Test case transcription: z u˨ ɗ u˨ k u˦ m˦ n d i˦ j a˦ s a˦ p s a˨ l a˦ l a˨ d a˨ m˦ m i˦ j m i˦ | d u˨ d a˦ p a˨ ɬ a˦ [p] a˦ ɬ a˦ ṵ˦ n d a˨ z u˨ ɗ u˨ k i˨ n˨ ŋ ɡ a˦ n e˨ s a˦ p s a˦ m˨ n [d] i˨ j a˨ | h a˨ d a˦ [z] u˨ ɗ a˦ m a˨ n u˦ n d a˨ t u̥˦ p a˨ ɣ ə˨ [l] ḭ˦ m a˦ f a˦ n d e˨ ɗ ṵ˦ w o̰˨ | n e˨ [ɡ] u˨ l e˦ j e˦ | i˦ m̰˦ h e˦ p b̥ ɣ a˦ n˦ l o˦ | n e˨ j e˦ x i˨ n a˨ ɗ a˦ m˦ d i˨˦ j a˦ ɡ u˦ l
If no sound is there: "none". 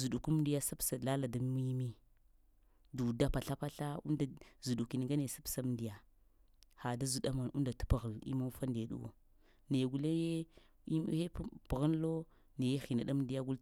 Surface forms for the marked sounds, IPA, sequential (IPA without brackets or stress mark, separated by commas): p, d, z, l, ɡ